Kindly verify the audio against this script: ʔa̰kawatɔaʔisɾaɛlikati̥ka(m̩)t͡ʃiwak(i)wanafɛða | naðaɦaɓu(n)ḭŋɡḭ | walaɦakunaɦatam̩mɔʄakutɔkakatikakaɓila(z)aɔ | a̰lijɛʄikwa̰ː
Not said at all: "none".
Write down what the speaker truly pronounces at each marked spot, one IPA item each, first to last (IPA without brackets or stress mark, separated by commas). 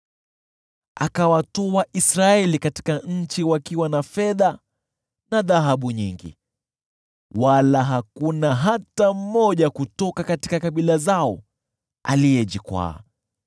ɲ̩, i, ɲ, z